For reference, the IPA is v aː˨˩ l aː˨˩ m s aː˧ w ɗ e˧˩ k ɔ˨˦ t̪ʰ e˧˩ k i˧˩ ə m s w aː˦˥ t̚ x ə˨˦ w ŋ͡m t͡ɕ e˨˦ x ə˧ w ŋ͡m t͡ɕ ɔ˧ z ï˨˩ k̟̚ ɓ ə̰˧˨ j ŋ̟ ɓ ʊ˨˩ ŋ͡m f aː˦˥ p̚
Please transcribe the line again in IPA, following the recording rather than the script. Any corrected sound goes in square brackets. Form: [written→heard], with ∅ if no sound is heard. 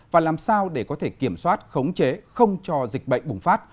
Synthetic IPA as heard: v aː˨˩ l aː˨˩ m s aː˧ w ɗ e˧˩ k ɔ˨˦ t̪ʰ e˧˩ k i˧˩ ə m s w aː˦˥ t̚ x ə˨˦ w ŋ͡m t͡ɕ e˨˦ x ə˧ w ŋ͡m t͡ɕ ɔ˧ z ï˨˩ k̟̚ ɓ ə̰˧˨ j ŋ̟ ɓ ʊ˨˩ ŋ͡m f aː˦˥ [p̚→t̚]